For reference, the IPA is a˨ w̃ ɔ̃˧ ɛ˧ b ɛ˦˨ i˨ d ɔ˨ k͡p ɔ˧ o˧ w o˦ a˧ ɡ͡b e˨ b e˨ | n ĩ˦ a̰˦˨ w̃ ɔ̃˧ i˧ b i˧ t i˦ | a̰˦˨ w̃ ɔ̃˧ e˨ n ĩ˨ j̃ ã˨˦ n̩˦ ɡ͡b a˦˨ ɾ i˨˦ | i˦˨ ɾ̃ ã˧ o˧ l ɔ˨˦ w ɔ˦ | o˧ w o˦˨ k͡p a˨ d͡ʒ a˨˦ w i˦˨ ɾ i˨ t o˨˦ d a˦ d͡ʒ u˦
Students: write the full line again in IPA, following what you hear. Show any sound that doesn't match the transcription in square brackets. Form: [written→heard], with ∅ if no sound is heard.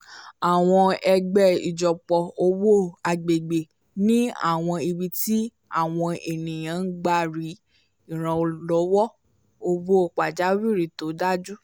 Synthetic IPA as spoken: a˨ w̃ ɔ̃˧ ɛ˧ [b→ɡ͡b] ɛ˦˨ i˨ [d→d͡ʒ] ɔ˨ k͡p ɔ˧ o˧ w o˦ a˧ ɡ͡b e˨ [b→ɡ͡b] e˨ | n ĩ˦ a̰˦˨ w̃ ɔ̃˧ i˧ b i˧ t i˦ | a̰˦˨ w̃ ɔ̃˧ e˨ n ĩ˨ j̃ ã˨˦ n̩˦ ɡ͡b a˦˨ ɾ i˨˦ | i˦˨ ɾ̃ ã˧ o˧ l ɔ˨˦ w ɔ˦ | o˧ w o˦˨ k͡p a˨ d͡ʒ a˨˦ w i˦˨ ɾ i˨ t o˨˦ d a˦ d͡ʒ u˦